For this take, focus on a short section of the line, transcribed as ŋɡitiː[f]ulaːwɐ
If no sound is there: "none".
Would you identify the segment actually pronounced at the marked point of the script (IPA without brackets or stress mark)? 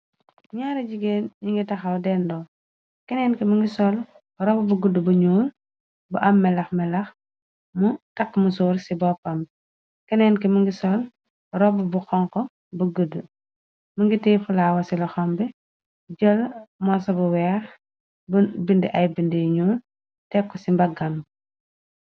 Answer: f